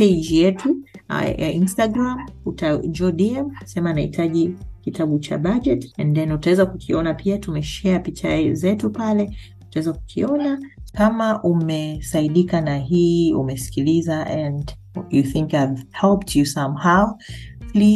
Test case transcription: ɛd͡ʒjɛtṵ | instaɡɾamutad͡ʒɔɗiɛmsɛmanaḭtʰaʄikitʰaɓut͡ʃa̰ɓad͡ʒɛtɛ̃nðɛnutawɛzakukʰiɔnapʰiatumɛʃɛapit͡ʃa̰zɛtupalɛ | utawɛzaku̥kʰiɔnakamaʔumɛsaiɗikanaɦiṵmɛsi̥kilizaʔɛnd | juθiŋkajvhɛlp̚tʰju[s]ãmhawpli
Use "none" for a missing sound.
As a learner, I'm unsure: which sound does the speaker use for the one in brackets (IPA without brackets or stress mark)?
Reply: s